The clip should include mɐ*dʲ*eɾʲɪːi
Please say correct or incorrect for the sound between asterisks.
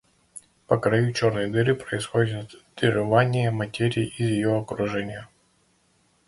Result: incorrect